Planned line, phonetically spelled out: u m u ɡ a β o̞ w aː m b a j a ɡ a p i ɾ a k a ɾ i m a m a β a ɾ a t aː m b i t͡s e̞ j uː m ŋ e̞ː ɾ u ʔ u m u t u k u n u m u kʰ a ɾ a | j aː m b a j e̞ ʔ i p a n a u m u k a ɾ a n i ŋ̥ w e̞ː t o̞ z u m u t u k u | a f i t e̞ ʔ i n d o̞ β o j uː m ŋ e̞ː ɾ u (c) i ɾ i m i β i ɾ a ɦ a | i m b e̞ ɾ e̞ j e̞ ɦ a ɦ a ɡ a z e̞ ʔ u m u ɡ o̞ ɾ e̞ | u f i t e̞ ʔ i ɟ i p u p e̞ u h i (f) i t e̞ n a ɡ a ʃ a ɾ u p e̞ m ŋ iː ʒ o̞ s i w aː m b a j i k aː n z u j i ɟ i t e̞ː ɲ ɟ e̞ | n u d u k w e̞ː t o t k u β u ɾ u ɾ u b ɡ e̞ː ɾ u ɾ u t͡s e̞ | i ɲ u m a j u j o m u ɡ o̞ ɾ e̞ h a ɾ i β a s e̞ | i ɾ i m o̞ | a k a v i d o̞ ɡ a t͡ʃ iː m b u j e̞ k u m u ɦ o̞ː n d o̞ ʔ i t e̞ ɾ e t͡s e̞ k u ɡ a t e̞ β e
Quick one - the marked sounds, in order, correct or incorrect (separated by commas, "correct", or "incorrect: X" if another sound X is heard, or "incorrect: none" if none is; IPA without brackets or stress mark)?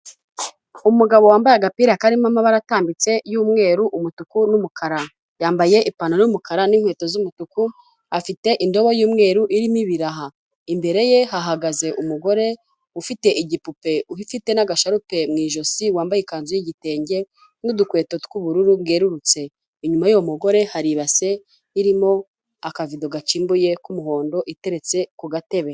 incorrect: ʔ, correct